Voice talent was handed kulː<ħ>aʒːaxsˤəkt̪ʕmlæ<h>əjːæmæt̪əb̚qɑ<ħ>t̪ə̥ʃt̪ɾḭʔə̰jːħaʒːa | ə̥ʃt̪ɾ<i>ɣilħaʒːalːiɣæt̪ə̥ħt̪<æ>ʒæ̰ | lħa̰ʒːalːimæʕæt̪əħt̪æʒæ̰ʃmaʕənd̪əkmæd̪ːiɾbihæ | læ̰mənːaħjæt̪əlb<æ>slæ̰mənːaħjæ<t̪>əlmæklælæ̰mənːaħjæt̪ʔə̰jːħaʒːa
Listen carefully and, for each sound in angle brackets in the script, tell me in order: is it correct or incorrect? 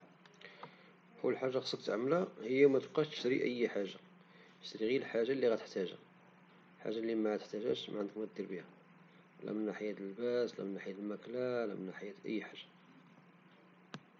correct, correct, incorrect, correct, correct, correct, correct

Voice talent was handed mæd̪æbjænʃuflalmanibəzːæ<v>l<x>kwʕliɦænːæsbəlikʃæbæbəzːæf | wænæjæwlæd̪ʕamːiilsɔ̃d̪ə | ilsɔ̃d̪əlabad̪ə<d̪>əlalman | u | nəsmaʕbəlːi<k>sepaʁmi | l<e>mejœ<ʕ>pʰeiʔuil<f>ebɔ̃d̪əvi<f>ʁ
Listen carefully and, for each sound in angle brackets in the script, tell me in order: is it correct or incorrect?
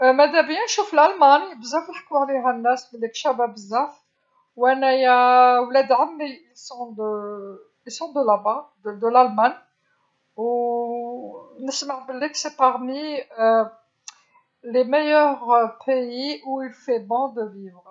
incorrect, incorrect, correct, correct, correct, incorrect, correct, incorrect

